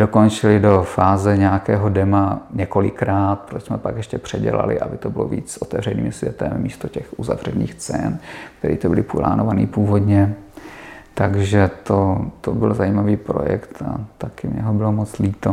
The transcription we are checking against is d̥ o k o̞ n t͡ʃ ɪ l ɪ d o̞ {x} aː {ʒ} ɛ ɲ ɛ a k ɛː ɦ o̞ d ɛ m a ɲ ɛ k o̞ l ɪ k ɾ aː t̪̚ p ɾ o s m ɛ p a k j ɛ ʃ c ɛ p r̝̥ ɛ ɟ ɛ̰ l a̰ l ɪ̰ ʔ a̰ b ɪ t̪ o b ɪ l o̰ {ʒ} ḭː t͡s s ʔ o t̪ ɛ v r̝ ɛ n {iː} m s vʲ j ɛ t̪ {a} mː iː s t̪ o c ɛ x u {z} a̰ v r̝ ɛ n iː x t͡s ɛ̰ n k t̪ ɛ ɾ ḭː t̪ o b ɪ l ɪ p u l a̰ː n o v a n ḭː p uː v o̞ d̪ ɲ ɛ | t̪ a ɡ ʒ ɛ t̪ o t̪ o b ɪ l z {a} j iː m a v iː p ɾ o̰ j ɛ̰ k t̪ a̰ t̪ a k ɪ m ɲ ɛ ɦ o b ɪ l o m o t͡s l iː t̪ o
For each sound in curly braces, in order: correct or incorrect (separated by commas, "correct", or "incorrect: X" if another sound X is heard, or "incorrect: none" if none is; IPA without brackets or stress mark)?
incorrect: f, incorrect: z, incorrect: v, correct, incorrect: ɛ, correct, correct